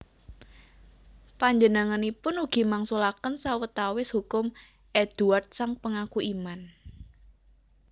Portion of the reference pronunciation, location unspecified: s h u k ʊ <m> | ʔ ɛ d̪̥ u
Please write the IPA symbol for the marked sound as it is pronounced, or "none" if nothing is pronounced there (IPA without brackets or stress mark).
m